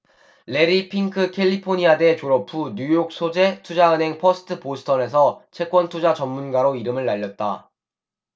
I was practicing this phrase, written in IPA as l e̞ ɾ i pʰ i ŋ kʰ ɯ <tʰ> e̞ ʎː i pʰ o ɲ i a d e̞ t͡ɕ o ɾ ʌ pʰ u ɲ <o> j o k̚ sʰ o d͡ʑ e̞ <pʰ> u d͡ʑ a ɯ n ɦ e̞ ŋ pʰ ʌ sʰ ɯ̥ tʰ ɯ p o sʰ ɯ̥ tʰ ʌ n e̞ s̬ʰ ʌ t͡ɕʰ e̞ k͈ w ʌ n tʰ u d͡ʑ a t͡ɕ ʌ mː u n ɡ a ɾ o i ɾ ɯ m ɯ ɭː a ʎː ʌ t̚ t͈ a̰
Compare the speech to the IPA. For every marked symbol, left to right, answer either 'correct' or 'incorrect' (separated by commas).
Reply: incorrect, incorrect, incorrect